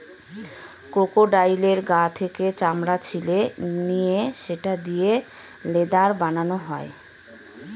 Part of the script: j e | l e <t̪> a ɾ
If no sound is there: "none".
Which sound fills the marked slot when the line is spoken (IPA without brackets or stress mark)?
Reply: d̪